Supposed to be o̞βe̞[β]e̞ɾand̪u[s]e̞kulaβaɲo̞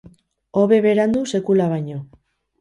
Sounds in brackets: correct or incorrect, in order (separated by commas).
correct, correct